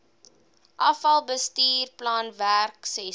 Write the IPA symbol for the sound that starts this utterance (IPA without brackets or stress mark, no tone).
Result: ʔ